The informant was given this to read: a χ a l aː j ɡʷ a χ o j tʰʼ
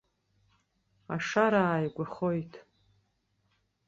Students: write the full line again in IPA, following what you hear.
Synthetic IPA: a ʂ a ɾ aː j ɡʷ a χ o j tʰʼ